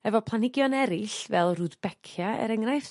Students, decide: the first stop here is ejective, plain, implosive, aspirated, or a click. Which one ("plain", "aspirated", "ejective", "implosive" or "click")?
aspirated